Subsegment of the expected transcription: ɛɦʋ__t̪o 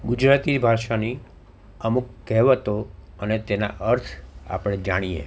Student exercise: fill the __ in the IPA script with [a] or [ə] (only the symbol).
ə